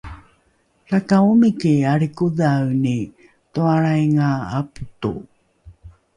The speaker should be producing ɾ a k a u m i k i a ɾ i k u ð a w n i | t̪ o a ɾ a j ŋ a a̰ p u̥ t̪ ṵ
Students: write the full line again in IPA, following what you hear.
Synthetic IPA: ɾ a k a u m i k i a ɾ i k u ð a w n i | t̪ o a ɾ a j ŋ a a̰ p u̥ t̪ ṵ